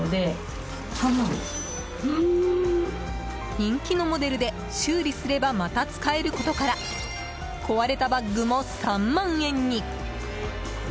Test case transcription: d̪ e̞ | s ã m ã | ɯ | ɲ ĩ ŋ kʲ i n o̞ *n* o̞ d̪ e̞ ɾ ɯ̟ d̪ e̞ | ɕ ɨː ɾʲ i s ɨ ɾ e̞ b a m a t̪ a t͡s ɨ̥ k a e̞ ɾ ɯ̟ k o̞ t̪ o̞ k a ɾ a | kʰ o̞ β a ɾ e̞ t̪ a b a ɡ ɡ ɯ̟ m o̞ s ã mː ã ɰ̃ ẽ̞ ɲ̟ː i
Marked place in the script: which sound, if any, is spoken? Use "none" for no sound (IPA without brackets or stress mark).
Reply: m